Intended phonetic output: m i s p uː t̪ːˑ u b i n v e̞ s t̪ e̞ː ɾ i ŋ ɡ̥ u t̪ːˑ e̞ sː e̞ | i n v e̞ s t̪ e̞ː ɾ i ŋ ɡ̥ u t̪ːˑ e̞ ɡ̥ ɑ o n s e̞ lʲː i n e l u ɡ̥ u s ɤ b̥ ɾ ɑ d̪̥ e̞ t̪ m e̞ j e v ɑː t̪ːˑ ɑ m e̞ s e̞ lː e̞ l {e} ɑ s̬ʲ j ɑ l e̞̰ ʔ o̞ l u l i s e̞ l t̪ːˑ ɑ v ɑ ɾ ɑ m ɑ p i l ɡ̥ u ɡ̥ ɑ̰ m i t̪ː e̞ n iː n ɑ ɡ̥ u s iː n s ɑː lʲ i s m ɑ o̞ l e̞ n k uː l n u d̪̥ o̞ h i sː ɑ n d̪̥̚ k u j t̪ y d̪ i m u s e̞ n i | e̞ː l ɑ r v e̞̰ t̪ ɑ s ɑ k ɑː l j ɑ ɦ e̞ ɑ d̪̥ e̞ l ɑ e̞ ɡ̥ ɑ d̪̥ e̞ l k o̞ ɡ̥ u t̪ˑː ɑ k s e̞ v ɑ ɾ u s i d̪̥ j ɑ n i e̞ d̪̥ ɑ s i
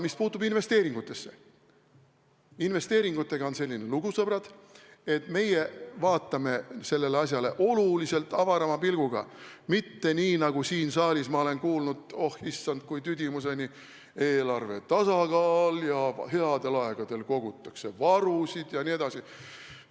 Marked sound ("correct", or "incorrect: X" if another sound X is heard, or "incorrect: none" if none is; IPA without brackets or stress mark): correct